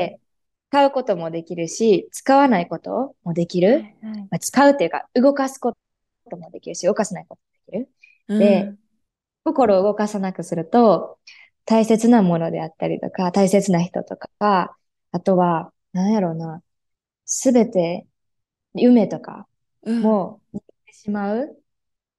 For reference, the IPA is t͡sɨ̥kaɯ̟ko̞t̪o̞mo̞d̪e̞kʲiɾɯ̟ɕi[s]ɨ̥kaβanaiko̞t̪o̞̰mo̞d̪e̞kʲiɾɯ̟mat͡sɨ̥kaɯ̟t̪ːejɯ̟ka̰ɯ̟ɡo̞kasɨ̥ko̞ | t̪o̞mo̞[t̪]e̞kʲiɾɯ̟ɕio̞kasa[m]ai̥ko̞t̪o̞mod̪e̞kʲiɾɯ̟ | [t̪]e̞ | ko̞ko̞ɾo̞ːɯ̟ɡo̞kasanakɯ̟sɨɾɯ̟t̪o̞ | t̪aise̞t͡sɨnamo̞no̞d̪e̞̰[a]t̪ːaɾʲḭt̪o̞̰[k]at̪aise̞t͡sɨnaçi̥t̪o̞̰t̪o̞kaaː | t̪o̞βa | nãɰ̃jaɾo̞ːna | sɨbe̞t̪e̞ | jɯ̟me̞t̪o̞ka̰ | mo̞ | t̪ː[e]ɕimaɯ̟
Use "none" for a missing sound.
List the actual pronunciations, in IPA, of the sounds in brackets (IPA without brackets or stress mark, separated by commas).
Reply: t͡s, d̪, n, d̪, a, k, e